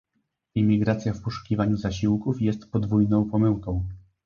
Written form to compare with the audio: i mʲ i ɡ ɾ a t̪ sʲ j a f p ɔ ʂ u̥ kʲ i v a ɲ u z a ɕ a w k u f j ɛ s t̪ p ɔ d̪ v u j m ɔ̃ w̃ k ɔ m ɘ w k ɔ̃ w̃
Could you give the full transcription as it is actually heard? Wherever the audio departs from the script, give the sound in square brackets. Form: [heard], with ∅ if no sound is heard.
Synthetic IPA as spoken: i mʲ i ɡ ɾ a t̪ sʲ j a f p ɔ ʂ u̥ kʲ i v a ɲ u z a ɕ [i] w k u f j ɛ s t̪ p ɔ d̪ v u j [n] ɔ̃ w̃ [p] ɔ m ɘ w k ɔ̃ w̃